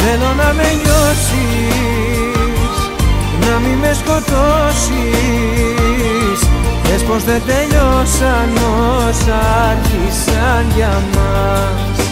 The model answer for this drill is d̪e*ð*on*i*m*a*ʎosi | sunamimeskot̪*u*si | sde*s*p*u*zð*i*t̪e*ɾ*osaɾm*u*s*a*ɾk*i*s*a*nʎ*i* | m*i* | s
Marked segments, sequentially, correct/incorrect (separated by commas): correct, incorrect, incorrect, incorrect, correct, incorrect, incorrect, incorrect, incorrect, correct, correct, correct, incorrect, incorrect